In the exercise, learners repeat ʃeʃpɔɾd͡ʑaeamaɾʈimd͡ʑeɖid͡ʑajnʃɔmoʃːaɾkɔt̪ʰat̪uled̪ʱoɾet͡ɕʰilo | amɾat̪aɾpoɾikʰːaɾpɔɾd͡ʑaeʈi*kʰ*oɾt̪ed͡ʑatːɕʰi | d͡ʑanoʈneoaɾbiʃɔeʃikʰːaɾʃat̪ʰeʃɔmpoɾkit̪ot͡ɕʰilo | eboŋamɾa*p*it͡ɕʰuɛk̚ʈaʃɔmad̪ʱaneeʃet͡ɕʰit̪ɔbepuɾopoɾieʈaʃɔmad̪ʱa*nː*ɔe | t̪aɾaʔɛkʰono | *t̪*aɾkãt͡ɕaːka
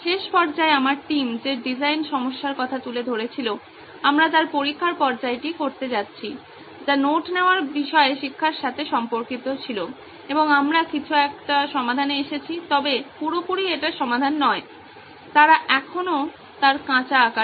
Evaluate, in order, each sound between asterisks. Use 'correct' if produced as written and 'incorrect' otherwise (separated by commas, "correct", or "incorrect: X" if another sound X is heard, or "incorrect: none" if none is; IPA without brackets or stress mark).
incorrect: k, incorrect: k, correct, correct